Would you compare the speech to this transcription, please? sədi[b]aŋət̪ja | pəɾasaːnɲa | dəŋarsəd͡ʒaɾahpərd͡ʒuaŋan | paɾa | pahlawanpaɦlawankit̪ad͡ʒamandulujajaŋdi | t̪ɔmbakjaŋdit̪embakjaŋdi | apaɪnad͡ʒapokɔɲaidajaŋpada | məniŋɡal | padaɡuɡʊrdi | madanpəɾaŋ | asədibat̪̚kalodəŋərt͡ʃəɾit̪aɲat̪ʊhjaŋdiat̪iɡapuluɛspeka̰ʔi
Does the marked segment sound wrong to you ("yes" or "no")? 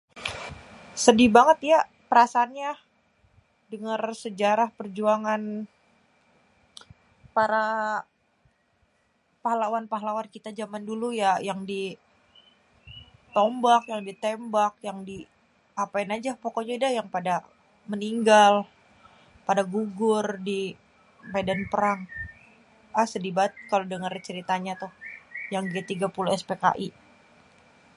no